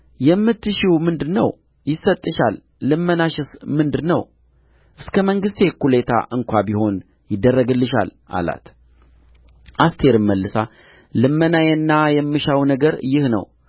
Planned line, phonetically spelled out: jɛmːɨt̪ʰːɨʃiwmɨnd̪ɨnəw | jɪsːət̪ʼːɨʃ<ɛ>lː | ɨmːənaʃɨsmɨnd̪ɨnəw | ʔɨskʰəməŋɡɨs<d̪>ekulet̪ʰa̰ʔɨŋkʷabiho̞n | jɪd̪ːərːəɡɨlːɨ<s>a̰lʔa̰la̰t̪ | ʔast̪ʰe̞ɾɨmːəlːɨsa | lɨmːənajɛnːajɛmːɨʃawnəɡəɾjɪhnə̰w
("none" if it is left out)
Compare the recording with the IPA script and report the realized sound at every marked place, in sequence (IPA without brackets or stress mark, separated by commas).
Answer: a, t̪, ʃ